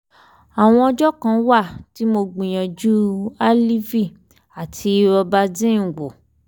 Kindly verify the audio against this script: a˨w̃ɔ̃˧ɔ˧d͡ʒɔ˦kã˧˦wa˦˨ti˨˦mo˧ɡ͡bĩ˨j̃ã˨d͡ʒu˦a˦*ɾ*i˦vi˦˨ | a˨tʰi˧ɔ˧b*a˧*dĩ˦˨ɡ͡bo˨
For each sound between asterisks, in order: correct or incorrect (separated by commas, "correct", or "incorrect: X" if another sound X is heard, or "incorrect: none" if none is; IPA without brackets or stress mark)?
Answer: incorrect: l, correct